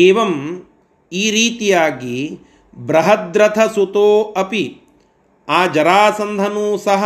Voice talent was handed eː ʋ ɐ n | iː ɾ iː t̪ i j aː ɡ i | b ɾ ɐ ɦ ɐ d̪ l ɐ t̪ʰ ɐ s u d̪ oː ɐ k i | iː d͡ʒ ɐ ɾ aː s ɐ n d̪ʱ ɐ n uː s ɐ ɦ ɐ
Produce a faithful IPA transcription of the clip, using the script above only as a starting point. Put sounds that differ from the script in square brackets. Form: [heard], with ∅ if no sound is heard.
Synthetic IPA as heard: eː ʋ ɐ [m] | iː ɾ iː t̪ i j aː ɡ i | b ɾ ɐ ɦ ɐ d̪ [ɾ] ɐ t̪ʰ ɐ s u [t̪] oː ɐ [p] i | [aː] d͡ʒ ɐ ɾ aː s ɐ n d̪ʱ ɐ n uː s ɐ ɦ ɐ